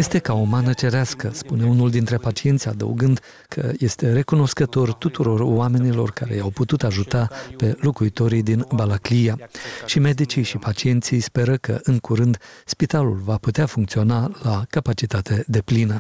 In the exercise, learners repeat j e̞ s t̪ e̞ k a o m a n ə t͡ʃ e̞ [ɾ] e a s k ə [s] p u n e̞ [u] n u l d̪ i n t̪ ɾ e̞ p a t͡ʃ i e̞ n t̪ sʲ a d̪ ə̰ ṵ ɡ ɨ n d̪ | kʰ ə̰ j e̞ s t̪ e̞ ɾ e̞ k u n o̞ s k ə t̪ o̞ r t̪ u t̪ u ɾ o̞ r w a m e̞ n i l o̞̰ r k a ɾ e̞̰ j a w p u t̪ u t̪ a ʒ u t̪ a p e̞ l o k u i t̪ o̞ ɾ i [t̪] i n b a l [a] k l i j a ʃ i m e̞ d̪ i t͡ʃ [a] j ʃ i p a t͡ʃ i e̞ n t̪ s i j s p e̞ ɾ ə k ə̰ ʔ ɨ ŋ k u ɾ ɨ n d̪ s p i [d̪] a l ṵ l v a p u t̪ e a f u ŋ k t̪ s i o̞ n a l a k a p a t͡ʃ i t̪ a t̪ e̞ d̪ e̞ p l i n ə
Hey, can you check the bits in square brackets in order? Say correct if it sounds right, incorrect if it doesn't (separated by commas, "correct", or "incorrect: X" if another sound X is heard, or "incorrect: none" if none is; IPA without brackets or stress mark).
correct, correct, correct, incorrect: d̪, correct, incorrect: i, incorrect: t̪